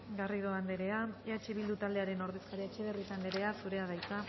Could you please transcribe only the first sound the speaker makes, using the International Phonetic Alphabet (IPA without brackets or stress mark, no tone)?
ɡ